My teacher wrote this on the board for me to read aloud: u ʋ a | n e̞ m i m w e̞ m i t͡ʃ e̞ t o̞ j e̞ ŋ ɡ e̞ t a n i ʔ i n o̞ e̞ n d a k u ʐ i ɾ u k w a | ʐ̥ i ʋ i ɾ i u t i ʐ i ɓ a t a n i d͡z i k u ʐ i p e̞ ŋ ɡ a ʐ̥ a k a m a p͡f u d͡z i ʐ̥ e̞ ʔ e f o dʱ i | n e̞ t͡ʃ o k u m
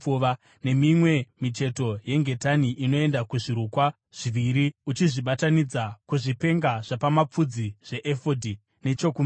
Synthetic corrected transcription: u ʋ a | n e̞ m i m w e̞ m i t͡ʃ e̞ t o̞ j e̞ ŋ ɡ e̞ t a n i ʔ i n o̞ e̞ n d a k u ʐ i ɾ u k w a | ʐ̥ i ʋ i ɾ i u t͡ʃ i ʐ i ɓ a t a n i d͡z a k u ʐ i p e̞ ŋ ɡ a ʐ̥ a p a m a p͡f u d͡z i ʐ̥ e̞ ʔ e f o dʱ i | n e̞ t͡ʃ o k u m